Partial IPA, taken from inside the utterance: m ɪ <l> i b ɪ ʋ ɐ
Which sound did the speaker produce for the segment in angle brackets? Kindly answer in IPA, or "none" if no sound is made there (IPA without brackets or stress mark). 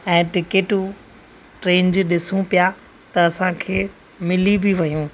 l